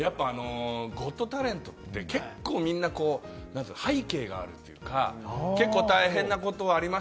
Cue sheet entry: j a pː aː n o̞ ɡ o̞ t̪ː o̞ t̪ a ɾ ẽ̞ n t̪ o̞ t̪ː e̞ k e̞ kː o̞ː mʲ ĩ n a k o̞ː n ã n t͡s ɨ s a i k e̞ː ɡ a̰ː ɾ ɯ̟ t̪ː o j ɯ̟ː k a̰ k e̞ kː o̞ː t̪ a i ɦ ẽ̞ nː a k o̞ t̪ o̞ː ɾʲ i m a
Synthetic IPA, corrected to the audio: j a pː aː n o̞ ɡ o̞ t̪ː o̞ t̪ a ɾ ẽ̞ n t̪ o̞ t̪ː e̞ k e̞ kː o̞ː mʲ ĩ nː a k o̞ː n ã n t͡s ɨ h a i k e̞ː ɡ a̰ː ɾ ɯ̟ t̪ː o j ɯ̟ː k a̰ k e̞ kː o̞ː t̪ a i ɦ ẽ̞ nː a k o̞ t̪ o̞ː ɾʲ i m a